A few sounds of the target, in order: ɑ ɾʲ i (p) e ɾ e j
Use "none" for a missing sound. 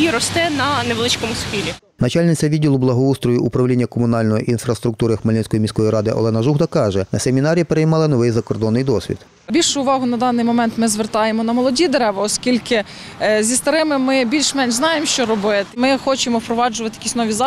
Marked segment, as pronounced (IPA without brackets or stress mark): p